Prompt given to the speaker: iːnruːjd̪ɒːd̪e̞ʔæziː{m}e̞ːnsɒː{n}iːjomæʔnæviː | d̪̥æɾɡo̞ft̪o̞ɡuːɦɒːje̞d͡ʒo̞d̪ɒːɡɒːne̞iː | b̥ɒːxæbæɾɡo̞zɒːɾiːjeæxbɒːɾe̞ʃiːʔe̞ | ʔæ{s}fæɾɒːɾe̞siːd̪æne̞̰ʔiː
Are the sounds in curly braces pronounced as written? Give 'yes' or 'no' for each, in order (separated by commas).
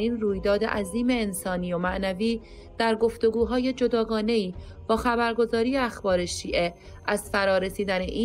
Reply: yes, yes, no